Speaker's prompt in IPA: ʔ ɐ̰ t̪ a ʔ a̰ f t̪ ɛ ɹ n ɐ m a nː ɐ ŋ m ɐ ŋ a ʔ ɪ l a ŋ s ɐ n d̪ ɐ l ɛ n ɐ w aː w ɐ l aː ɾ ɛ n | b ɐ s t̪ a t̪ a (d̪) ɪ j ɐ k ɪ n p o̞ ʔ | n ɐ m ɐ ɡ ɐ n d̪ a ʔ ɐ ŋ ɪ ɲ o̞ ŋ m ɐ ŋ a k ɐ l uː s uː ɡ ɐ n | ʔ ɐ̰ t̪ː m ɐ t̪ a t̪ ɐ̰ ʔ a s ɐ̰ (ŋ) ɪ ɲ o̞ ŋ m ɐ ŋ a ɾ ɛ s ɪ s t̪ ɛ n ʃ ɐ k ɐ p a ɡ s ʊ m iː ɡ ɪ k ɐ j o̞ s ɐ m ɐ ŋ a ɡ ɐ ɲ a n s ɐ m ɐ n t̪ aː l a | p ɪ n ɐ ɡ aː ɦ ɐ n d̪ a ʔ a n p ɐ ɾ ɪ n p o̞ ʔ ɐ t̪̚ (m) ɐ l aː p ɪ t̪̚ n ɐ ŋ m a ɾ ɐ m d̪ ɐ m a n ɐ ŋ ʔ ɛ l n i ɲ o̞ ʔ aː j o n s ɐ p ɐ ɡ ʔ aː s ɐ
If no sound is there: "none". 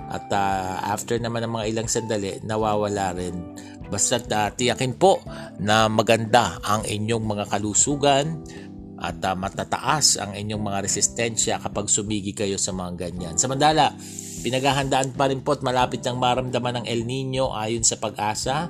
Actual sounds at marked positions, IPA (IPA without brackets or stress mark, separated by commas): t̪, ŋ, m